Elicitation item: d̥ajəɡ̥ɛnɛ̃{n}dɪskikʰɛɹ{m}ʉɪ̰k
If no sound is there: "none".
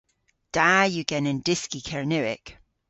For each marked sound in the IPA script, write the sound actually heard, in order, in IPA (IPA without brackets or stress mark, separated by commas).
n, n